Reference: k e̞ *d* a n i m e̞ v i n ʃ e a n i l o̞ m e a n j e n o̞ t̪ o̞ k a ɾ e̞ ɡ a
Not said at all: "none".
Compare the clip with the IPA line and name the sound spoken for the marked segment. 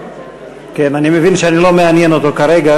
n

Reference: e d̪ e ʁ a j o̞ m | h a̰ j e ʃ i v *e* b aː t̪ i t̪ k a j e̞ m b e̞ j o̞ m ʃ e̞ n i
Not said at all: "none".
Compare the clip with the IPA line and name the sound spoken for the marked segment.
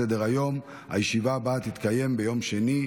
a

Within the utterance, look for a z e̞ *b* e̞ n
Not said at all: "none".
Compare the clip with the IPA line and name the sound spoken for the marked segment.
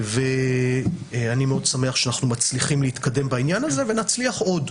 v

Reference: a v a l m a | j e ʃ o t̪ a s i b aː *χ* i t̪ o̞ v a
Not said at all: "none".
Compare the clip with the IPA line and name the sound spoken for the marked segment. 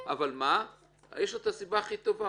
χ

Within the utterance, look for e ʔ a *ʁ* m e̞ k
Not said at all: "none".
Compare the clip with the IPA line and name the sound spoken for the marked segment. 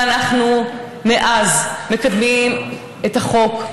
z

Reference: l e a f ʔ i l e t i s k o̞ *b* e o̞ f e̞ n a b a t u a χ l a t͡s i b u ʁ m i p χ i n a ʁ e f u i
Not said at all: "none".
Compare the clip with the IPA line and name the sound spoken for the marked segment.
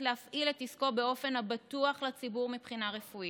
b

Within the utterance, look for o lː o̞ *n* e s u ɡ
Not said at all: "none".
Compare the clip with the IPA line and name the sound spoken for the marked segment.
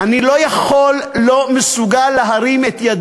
m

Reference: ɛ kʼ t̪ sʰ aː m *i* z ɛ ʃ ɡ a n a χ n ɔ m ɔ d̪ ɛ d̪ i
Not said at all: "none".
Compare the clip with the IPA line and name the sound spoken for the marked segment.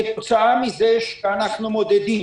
i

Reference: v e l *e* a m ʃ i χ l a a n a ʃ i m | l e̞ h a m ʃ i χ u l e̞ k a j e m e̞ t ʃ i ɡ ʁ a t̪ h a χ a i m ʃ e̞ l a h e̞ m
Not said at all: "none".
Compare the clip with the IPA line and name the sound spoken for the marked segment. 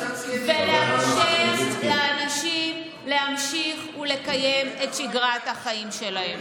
e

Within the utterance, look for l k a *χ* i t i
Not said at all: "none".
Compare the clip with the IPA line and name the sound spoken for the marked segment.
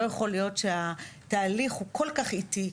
χ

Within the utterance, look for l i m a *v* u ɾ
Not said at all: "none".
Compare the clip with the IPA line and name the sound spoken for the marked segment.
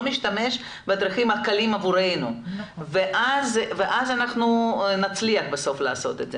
v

